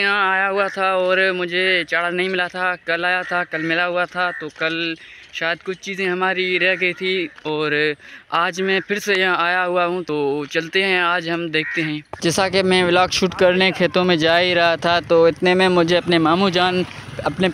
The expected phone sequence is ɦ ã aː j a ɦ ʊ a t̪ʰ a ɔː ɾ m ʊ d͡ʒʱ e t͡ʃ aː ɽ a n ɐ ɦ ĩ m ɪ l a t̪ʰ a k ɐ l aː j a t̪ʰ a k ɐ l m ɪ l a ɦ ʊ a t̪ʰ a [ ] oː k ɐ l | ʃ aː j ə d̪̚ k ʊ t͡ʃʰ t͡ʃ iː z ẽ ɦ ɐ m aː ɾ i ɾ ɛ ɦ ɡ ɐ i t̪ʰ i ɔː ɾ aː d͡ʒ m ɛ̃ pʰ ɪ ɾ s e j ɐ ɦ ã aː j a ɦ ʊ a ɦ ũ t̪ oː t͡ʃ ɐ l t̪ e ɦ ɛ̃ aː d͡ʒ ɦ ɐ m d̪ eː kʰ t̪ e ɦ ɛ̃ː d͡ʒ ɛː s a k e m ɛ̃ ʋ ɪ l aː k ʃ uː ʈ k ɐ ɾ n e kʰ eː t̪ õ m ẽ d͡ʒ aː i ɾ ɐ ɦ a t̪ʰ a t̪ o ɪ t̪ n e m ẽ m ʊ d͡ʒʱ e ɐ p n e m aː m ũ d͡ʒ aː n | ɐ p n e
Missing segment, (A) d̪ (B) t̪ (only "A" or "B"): B